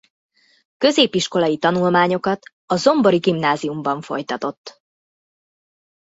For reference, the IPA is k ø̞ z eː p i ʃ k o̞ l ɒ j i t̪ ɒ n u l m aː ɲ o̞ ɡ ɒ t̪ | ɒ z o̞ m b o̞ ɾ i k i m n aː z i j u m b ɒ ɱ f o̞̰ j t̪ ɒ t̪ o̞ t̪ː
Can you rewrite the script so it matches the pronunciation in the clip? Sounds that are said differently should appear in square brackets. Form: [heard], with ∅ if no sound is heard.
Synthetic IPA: k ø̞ z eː p i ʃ k o̞ l ɒ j i t̪ ɒ n u l m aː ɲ o̞ [k] ɒ t̪ | ɒ z o̞ m b o̞ ɾ i [ɡ] i m n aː z i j u m b ɒ ɱ f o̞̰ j t̪ ɒ t̪ o̞ t̪ː